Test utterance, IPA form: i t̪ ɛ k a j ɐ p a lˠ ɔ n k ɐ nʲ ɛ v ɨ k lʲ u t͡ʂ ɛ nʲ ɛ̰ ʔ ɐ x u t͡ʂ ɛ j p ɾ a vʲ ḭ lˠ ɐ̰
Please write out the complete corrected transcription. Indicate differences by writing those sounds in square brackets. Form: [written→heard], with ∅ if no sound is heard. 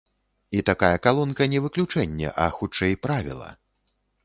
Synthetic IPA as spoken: i t̪ [ɛ→a] k a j ɐ [p→k] a lˠ ɔ n k ɐ nʲ ɛ v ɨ k lʲ u t͡ʂ ɛ [nʲ→nʲː] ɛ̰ ʔ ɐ x u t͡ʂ ɛ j p ɾ a vʲ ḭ lˠ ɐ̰